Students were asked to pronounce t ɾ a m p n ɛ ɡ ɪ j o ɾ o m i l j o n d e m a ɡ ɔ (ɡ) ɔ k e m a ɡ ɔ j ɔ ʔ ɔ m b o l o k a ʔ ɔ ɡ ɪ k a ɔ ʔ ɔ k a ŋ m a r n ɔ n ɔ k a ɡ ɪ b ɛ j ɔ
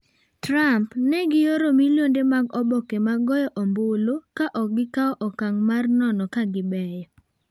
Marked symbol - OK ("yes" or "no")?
no